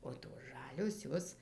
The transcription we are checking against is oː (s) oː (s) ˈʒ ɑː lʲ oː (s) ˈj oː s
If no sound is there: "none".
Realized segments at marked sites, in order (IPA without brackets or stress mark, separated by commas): t, s, s